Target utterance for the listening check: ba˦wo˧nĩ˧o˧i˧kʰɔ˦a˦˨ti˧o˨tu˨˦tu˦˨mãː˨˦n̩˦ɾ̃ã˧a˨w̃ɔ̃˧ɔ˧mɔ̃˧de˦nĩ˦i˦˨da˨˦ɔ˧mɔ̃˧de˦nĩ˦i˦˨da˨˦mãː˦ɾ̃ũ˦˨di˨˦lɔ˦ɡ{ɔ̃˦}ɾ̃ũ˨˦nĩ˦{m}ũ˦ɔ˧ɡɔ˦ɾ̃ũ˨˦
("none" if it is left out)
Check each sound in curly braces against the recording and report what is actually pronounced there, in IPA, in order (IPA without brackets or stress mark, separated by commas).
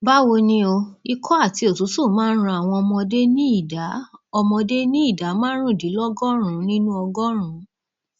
ɔ˦, n